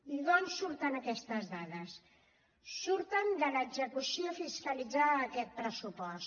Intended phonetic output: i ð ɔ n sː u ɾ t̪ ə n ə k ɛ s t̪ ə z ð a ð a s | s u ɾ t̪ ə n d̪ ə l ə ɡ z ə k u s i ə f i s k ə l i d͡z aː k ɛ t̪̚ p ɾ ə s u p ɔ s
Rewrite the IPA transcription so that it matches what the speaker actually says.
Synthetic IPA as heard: i ð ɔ n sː u ɾ t̪ ə n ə k ɛ s t̪ ə z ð a ð ə s | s u ɾ t̪ ə n d̪ ə l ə ɡ z ə k u s i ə f i s k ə l i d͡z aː k ɛ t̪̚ p ɾ ə s u p ɔ s